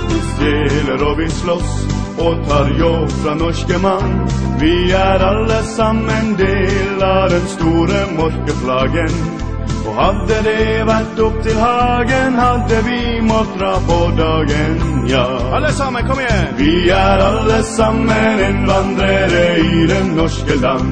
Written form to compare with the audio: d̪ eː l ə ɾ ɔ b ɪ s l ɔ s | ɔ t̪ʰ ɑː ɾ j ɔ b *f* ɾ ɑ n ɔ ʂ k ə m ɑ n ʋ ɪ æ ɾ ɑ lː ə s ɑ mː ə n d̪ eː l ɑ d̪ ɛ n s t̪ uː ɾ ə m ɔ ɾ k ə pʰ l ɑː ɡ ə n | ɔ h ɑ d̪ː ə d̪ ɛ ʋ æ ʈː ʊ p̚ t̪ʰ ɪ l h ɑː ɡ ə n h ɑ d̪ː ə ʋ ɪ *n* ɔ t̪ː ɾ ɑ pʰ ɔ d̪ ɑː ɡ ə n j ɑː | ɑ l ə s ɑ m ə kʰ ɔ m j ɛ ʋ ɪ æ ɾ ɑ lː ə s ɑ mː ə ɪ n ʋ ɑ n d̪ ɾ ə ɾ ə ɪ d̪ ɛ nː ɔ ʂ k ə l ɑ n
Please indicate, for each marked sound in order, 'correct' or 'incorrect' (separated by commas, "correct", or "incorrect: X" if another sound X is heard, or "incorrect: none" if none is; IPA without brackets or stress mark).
correct, incorrect: m